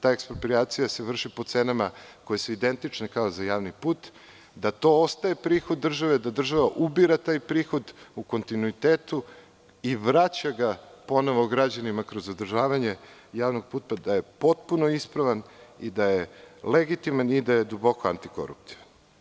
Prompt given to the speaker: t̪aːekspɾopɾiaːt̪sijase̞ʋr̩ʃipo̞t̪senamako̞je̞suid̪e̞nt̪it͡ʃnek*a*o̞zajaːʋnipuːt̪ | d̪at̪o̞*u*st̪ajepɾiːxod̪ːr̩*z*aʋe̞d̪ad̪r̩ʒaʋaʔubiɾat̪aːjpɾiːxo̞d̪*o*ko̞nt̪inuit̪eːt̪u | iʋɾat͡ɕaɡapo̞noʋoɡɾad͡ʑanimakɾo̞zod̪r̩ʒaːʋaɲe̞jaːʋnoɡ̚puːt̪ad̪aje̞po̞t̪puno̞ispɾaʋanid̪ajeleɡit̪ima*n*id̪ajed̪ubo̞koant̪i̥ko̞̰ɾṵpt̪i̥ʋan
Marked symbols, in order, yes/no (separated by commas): yes, no, no, no, yes